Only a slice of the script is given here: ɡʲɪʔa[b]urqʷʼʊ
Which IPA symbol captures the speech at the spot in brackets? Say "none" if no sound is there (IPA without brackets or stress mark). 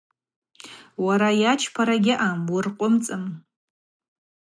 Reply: m